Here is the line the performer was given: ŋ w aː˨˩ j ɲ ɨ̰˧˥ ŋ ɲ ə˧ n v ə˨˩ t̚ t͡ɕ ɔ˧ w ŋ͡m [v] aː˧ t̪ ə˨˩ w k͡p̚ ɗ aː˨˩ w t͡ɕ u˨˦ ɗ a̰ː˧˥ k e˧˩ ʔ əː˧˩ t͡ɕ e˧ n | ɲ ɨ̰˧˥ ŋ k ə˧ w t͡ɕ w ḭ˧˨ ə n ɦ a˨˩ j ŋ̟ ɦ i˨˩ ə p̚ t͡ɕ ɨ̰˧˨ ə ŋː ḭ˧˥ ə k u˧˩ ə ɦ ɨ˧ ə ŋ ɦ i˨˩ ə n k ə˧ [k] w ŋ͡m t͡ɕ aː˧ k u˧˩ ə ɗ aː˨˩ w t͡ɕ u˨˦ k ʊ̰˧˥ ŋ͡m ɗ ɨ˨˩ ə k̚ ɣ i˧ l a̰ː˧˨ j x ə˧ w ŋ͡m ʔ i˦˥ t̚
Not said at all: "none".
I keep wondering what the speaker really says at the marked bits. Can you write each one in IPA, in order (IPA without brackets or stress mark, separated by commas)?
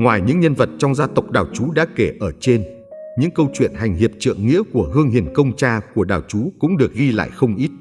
z, none